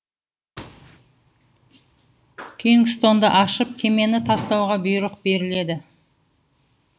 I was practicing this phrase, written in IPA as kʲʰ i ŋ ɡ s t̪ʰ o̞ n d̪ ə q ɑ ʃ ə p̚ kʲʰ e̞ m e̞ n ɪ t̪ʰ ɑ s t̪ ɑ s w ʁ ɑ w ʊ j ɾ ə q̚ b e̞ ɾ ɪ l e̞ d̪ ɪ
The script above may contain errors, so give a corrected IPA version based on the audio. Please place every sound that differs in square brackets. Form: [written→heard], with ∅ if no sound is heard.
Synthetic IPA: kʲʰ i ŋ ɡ s [t̪ʰ→t̪] o̞ n d̪ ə [q→ʔ] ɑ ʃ ə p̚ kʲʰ e̞ m e̞ n ɪ t̪ʰ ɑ s t̪ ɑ [s→∅] w ʁ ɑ [w→b] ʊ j ɾ ə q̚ b e̞ ɾ ɪ l e̞ d̪ ɪ